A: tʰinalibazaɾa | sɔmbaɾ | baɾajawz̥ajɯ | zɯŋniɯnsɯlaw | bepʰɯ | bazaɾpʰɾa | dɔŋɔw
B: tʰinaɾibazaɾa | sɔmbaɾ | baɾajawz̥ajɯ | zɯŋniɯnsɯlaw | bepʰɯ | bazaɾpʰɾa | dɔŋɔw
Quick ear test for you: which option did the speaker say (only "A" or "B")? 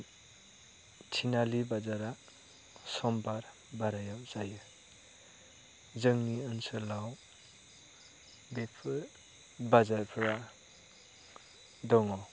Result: A